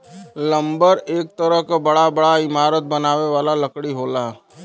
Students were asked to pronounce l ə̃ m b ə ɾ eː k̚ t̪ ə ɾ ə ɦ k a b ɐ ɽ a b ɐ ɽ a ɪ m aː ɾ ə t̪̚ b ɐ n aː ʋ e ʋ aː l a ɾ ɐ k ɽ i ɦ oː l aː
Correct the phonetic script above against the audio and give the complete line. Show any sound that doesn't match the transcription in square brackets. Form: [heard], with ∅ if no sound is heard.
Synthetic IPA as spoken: l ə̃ m b ə ɾ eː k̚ t̪ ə ɾ ə ɦ k a b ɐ ɽ a b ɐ ɽ a ɪ m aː ɾ ə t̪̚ b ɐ n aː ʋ e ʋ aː l a [l] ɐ k ɽ i ɦ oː l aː